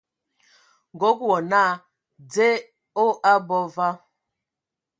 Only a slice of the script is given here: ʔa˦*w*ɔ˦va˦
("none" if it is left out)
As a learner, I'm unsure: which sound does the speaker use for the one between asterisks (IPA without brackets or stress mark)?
b